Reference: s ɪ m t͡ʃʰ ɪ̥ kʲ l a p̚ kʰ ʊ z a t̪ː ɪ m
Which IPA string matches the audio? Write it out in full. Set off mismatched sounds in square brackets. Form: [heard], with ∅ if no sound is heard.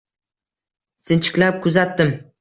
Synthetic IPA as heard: s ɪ [n] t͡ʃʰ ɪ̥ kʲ l a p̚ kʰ ʊ z a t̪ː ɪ m